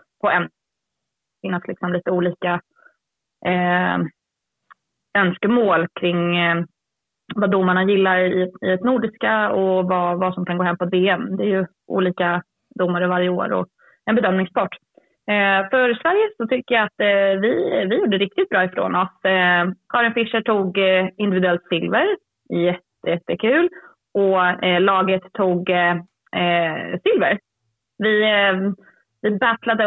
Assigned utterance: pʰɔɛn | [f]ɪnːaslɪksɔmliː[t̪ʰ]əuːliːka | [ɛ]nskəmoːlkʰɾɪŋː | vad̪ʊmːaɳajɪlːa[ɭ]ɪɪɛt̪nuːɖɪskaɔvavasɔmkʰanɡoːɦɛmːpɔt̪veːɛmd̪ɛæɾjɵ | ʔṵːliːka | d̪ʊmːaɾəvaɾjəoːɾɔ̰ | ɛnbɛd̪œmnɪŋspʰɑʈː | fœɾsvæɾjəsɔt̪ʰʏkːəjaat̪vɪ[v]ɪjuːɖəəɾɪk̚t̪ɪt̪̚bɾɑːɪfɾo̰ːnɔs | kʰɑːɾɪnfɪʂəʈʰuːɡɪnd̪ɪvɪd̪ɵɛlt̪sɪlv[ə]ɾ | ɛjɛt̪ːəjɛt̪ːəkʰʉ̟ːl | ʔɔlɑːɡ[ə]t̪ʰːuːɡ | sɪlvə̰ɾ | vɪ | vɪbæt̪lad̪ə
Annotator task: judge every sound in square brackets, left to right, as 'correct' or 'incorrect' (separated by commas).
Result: correct, incorrect, incorrect, incorrect, correct, correct, correct